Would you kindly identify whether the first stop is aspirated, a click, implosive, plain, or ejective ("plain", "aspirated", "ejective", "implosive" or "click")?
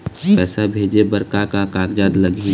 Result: plain